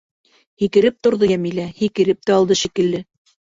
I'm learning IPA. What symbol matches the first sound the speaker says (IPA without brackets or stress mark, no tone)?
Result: h